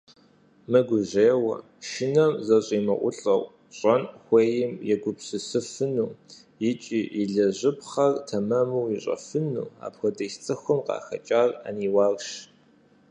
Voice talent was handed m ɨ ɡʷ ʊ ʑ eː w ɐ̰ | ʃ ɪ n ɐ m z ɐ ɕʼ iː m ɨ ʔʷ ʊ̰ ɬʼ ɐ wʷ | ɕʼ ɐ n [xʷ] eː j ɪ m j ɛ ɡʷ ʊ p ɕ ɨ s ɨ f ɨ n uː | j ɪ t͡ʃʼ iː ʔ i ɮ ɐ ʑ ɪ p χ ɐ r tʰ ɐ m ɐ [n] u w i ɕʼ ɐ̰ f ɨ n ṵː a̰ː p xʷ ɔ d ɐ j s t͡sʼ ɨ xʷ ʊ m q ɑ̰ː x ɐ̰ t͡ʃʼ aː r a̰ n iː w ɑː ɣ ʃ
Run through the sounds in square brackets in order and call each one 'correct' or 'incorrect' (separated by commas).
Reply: correct, incorrect